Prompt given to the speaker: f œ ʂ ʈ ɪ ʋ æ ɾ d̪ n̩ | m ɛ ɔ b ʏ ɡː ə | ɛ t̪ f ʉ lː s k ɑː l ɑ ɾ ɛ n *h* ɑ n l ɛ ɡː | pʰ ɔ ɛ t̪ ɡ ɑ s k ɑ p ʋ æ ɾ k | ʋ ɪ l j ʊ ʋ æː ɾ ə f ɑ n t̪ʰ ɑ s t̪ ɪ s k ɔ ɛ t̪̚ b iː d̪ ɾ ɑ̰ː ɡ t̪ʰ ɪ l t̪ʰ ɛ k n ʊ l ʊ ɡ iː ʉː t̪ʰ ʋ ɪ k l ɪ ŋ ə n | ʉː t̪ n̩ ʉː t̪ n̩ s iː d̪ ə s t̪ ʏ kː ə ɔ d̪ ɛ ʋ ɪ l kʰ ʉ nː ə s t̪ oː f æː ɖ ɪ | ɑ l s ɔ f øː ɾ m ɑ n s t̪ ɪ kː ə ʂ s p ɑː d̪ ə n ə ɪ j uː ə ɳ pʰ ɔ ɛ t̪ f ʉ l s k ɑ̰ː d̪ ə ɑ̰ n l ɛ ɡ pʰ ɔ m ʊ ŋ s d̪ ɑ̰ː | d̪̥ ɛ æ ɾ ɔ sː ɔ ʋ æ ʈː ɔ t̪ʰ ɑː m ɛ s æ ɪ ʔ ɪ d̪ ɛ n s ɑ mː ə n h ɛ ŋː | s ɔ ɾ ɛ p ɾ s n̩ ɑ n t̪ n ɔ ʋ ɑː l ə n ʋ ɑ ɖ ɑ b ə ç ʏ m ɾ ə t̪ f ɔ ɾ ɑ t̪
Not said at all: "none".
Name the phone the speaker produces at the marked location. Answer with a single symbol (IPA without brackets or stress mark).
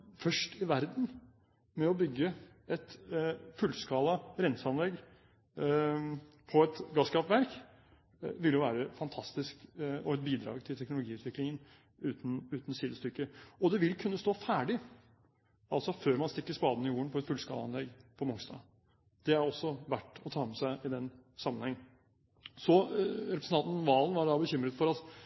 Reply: s